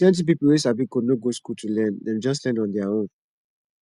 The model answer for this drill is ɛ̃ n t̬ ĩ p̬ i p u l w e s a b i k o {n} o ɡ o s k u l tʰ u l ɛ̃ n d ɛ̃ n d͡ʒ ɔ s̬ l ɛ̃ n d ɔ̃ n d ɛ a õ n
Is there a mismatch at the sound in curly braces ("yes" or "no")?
no